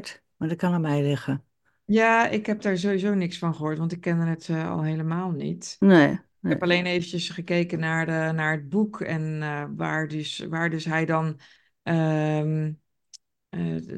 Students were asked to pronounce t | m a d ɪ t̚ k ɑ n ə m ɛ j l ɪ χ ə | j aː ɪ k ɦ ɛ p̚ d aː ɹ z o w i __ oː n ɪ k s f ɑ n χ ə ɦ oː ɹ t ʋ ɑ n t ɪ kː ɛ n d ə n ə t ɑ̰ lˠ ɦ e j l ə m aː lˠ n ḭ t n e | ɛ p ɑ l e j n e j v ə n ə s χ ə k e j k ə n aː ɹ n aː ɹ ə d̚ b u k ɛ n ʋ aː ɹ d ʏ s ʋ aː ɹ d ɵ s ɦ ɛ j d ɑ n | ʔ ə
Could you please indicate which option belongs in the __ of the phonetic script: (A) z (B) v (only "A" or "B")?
A